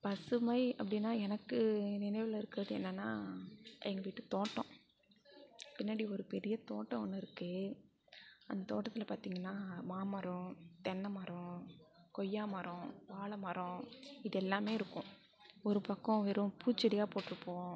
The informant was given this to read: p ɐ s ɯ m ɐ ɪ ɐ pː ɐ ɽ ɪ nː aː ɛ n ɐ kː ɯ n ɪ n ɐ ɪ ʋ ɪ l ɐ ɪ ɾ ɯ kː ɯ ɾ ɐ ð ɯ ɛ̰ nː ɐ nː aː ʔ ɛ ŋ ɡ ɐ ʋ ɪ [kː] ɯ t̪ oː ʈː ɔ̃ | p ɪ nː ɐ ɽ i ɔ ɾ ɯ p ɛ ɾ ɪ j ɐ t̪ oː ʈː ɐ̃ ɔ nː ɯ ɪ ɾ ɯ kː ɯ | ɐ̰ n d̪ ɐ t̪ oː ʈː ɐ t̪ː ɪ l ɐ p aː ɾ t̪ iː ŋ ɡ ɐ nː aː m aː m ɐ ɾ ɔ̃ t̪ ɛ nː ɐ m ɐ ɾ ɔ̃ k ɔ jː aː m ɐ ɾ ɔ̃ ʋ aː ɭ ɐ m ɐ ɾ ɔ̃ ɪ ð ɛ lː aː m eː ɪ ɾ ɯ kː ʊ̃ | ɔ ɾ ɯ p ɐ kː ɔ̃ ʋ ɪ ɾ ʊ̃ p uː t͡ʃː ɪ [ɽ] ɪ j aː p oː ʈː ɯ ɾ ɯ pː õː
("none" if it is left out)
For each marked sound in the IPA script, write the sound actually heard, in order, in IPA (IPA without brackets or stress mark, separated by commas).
ʈː, ɽ